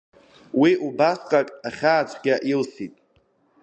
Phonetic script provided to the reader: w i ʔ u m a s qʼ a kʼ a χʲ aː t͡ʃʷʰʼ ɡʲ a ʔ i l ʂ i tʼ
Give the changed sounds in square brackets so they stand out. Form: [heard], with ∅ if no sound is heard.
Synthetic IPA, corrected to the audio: w i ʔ u [b] a s qʼ a kʼ a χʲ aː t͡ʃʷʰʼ ɡʲ a ʔ i l [s] i tʼ